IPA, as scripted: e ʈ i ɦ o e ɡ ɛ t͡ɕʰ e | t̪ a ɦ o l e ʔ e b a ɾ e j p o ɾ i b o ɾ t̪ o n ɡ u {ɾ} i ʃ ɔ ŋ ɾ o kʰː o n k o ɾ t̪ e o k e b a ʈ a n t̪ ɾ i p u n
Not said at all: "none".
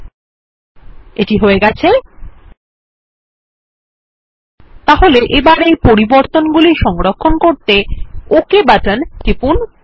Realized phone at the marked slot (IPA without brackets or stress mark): l